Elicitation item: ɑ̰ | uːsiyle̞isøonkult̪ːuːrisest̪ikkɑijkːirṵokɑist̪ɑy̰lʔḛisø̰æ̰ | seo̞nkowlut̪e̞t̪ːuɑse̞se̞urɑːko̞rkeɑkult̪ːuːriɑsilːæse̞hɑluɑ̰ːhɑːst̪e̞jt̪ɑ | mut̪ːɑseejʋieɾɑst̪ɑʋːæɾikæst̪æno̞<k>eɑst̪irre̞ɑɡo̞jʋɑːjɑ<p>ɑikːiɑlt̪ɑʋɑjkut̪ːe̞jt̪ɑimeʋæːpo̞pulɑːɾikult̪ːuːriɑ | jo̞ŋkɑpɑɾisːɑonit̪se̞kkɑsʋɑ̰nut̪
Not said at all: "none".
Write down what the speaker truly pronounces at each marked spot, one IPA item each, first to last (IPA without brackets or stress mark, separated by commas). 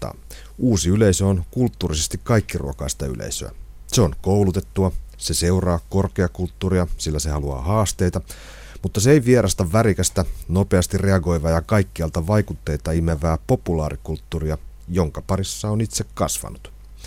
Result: p, k